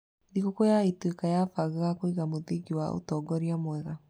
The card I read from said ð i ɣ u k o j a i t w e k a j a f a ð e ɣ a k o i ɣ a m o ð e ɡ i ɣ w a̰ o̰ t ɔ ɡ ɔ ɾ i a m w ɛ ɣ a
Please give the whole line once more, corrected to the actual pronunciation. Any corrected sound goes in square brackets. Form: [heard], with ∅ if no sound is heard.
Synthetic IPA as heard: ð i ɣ [o] k o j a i t w e k a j a f a [ɣ] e ɣ a k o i ɣ a m o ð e ɡ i [∅] w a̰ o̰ t ɔ ɡ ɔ ɾ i a m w ɛ ɣ a